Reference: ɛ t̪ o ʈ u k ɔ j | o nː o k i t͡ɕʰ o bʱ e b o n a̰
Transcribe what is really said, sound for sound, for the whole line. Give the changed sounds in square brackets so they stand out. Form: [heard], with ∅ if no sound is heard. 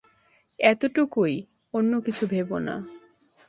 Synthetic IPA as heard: ɛ t̪ o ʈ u k [o] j | o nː o k i t͡ɕʰ [u] bʱ e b o n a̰